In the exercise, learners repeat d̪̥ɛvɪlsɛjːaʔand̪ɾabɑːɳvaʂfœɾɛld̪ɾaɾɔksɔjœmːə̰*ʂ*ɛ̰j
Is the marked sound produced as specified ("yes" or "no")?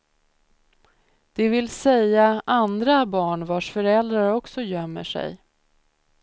yes